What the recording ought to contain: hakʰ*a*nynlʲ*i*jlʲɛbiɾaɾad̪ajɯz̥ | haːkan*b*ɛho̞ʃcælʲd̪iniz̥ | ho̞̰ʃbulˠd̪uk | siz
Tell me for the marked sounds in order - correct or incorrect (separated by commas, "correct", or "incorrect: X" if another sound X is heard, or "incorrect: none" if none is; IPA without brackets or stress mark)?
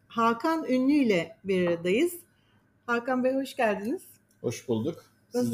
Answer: correct, incorrect: y, correct